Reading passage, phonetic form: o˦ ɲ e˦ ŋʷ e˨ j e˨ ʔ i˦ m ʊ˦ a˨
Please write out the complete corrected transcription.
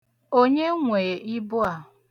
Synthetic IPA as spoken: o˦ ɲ e˦ ŋʷ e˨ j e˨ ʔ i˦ b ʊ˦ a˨